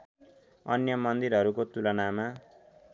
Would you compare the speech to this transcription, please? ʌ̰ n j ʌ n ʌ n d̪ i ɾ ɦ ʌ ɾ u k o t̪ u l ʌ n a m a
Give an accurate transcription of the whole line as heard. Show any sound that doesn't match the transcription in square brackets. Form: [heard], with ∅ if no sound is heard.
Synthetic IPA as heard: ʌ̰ n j ʌ [m] ʌ n d̪ i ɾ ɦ ʌ ɾ u k o t̪ u l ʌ n a m a

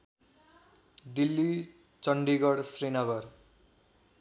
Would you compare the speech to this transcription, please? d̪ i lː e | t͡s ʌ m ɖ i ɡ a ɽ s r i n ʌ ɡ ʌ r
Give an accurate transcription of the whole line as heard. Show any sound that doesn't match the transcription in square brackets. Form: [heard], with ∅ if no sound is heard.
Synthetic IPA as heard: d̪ i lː [i] | t͡s ʌ [ɳ] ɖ i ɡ [ʌ] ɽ s r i n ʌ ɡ ʌ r

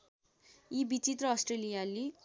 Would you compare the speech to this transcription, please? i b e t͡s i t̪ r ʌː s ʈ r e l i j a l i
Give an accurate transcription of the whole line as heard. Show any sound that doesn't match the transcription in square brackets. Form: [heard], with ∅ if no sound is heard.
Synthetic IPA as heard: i b [i] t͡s i t̪ r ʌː s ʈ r e l i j a l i

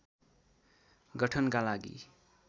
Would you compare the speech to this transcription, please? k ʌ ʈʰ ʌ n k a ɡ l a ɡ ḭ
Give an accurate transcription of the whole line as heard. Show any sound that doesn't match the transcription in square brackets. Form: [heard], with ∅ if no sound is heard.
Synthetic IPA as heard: [ɡ] ʌ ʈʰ ʌ n k a [∅] l a ɡ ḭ

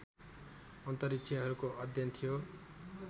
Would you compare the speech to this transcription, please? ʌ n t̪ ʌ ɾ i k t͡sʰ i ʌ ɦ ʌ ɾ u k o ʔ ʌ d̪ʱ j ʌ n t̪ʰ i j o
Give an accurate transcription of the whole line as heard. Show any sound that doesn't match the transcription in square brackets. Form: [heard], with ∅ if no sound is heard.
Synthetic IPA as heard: ʌ n t̪ ʌ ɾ i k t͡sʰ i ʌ ɦ ʌ ɾ u k o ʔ ʌ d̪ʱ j ʌ n t̪ʰ i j o

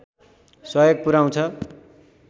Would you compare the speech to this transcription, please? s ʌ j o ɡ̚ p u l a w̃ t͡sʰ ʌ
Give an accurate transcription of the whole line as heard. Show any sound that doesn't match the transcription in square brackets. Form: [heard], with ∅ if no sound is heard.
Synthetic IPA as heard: s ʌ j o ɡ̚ p u [ɾ] a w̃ t͡sʰ ʌ

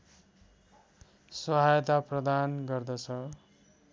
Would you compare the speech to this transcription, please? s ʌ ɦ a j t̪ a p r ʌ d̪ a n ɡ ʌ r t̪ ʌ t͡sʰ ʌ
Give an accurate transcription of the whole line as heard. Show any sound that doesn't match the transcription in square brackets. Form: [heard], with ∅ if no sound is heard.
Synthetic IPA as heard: s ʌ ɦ a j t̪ a p r ʌ d̪ a n ɡ ʌ r [d̪] ʌ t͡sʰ ʌ

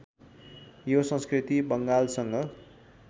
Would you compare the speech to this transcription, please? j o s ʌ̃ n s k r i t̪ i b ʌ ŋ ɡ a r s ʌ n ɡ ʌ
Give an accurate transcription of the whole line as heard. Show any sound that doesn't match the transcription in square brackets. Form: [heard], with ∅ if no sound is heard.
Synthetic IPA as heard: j o s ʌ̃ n s k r i t̪ i b ʌ ŋ ɡ a [l] s ʌ [ŋ] ɡ ʌ

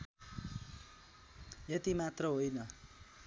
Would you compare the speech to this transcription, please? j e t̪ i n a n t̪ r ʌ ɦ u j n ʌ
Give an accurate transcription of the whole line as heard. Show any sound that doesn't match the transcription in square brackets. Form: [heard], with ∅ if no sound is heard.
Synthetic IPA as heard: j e t̪ i [m] a [∅] t̪ r ʌ ɦ [o] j n ʌ

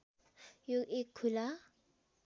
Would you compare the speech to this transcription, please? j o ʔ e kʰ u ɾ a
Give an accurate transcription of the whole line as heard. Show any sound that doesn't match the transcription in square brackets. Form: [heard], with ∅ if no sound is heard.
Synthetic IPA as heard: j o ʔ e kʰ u [l] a

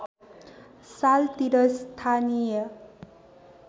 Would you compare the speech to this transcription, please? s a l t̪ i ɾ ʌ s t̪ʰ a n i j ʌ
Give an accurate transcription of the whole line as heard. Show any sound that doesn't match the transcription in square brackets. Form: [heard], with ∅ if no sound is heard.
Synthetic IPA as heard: s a l t̪ i ɾ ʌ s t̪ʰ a n i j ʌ

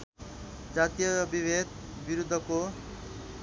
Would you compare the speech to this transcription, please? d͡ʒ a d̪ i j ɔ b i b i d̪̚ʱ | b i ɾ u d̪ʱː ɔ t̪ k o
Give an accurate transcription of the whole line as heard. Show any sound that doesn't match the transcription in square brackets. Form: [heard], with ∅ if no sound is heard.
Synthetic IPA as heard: d͡ʒ a [t̪] i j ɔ b i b [e] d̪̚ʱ | b i ɾ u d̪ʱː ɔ [∅] k o

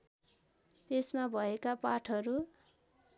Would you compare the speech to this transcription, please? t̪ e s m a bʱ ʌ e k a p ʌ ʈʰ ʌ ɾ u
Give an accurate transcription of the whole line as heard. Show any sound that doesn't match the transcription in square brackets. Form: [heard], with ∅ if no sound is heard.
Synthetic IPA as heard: t̪ e s m a bʱ ʌ e k a p [a] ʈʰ ʌ ɾ u

